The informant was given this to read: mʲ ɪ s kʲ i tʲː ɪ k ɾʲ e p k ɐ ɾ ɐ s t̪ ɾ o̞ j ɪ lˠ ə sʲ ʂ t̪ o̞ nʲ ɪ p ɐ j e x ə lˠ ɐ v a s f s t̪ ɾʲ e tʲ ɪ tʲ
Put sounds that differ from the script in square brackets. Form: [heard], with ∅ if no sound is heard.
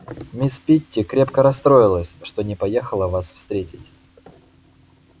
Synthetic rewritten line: mʲ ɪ s [pʲ] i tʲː ɪ k ɾʲ e p k [ə] ɾ ɐ s t̪ ɾ o̞ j ɪ lˠ ə sʲ ʂ t̪ o̞ nʲ ɪ p ɐ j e x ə lˠ [ə] v a s f s t̪ ɾʲ e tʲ ɪ tʲ